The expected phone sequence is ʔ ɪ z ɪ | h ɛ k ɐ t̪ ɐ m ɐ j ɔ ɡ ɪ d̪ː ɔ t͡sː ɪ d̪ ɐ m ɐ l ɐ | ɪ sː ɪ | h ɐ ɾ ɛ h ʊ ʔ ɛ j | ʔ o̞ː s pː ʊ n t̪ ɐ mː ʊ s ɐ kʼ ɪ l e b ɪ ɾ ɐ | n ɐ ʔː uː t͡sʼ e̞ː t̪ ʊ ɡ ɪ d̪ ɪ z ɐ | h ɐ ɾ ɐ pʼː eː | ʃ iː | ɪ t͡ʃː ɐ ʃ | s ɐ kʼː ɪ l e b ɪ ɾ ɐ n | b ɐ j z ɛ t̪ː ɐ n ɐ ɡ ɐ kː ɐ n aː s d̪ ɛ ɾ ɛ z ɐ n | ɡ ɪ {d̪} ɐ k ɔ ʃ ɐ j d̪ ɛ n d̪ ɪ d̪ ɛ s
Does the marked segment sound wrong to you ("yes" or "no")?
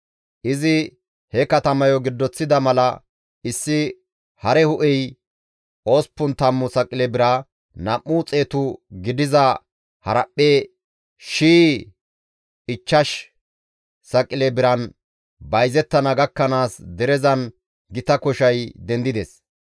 yes